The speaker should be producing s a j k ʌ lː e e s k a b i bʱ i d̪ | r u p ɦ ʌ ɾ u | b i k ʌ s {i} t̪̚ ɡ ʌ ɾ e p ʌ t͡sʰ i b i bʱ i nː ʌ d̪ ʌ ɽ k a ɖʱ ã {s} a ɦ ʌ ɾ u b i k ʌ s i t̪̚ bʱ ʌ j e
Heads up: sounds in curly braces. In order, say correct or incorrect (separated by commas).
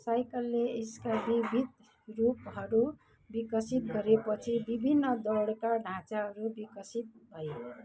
correct, incorrect